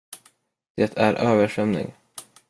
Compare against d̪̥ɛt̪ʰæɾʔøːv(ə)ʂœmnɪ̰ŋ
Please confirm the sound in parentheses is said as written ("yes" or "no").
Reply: yes